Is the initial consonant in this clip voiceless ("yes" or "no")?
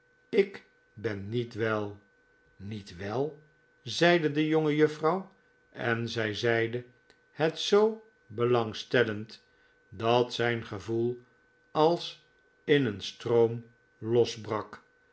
yes